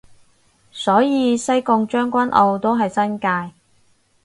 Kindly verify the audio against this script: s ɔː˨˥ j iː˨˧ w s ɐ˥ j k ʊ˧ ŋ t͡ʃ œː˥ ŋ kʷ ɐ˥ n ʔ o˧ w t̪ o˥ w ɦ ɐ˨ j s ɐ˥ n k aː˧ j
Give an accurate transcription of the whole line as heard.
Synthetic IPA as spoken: s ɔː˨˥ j iː˨˧ s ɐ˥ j k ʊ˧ ŋ t͡ʃ œː˥ ŋ kʷ ɐ˥ n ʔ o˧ w t̪ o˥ w ɦ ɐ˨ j s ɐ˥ n k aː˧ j